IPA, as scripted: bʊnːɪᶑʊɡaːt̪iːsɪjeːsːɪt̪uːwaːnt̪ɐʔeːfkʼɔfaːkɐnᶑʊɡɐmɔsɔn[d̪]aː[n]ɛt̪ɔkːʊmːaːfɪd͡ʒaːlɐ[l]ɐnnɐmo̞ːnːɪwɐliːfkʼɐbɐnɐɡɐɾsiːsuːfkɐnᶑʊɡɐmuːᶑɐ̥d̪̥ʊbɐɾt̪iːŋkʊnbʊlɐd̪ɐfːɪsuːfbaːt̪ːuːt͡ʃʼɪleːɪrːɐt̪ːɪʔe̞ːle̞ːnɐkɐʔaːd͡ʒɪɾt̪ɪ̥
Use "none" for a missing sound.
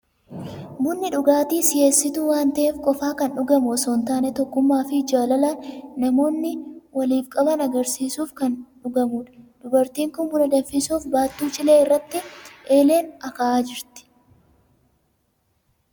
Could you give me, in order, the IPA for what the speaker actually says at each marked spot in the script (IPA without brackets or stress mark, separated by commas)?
t̪, n, l